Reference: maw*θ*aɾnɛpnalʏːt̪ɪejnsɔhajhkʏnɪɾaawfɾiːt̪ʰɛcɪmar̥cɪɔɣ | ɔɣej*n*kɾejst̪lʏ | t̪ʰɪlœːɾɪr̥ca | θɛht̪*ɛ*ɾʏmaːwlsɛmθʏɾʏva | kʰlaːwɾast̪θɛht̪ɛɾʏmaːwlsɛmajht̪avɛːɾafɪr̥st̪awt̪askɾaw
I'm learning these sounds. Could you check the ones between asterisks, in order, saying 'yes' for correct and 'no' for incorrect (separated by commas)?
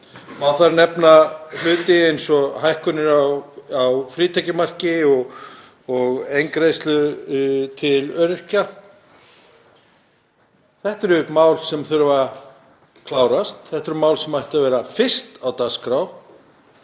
yes, no, yes